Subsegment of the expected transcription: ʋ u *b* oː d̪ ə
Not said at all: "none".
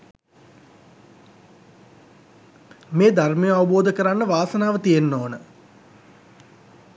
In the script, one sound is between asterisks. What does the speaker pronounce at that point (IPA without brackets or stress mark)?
b